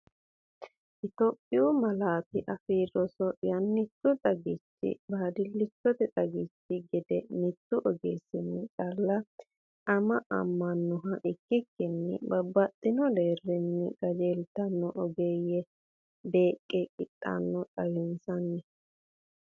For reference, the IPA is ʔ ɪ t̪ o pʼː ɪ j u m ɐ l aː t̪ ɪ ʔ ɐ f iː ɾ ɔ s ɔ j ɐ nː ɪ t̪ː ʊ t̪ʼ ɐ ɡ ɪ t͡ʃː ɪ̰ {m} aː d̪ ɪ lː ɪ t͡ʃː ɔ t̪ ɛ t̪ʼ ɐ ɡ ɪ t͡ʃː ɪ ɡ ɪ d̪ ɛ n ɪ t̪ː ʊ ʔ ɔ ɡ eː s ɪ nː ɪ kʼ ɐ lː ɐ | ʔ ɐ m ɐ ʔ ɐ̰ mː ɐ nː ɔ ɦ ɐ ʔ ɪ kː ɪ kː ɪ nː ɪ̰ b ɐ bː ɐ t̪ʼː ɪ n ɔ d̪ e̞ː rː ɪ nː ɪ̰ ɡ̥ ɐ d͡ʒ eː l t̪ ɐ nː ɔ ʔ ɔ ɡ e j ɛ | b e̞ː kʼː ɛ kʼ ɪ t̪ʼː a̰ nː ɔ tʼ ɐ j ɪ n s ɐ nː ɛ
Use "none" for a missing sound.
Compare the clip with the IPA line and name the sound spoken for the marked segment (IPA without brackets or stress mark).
b